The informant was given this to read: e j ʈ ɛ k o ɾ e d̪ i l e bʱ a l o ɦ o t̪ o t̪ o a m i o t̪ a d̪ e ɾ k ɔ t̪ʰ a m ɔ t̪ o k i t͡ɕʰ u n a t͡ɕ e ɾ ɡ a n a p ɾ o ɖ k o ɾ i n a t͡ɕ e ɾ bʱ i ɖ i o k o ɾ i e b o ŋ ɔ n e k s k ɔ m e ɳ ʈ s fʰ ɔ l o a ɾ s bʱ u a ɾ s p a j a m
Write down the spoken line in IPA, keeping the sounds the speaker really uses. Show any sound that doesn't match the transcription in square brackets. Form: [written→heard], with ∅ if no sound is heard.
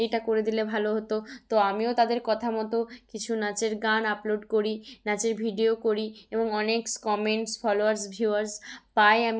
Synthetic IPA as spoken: e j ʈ [ɛ→a] k o ɾ e d̪ i l e bʱ a l o ɦ o t̪ o t̪ o a m i o t̪ a d̪ e ɾ k ɔ t̪ʰ a m ɔ t̪ o k i t͡ɕʰ u n a t͡ɕ e ɾ ɡ a n a p [ɾ→l] o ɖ k o ɾ i n a t͡ɕ e ɾ bʱ i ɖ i o k o ɾ i e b o ŋ ɔ n e k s k ɔ m e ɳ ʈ s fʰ ɔ l o a ɾ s bʱ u a ɾ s p a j a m